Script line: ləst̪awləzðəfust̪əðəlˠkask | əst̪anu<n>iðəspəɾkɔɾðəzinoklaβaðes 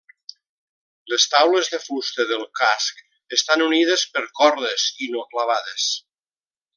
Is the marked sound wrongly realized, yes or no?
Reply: no